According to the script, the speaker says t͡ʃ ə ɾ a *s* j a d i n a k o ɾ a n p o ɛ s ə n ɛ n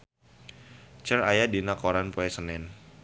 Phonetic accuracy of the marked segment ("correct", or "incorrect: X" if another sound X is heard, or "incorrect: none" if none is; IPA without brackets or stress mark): incorrect: none